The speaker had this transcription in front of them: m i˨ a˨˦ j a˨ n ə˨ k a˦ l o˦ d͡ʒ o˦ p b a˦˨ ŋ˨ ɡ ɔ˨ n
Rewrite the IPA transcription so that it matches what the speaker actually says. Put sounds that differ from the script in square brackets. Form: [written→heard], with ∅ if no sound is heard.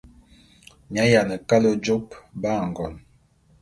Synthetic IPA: m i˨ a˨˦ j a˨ n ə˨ k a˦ l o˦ d͡ʒ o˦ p b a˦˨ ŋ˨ ɡ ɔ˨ n

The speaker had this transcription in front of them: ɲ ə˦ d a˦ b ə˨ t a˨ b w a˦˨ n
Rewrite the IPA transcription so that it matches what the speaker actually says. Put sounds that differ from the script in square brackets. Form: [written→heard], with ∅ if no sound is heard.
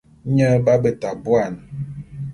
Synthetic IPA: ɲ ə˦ [d→b] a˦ b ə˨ t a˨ b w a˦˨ n

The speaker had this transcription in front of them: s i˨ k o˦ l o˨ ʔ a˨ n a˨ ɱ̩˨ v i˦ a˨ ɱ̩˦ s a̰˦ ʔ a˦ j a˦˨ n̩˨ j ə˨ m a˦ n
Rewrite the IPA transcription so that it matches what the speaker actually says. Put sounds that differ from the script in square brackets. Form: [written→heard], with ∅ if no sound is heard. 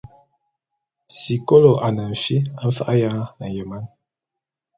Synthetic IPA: s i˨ k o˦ l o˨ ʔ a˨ n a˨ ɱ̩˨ [v→f] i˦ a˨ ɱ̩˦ [s→f] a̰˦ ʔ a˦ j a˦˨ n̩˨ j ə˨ m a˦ n

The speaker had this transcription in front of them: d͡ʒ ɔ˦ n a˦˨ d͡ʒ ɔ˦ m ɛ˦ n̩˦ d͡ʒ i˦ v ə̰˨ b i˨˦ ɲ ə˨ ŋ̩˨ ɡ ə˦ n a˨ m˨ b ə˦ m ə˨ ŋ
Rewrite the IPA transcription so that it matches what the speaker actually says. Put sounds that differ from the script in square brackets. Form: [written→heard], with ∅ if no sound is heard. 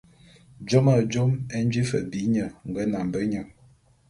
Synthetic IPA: d͡ʒ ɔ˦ [n→m] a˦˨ d͡ʒ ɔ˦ m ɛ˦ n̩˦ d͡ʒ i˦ [v→f] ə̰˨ b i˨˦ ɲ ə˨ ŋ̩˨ ɡ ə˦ n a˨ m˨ b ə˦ [m→ɲ] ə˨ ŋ

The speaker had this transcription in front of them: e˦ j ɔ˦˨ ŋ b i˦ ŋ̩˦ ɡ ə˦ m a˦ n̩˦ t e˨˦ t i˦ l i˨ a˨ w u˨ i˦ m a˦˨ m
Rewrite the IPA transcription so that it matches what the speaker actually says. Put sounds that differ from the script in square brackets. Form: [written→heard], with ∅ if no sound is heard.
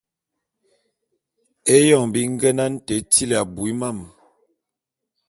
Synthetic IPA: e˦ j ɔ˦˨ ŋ b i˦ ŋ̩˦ ɡ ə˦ [m→n] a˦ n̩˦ t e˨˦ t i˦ l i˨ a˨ [w→b] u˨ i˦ m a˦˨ m

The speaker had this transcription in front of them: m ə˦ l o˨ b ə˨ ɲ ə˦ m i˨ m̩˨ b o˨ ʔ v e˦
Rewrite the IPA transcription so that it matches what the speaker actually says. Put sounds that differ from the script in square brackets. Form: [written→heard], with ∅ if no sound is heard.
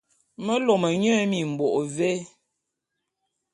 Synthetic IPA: m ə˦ l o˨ [b→m] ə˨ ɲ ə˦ m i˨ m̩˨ b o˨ ʔ v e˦

